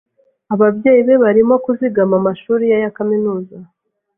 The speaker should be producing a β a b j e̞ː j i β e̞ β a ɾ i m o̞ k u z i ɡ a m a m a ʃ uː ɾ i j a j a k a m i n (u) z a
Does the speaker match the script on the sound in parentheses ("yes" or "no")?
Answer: no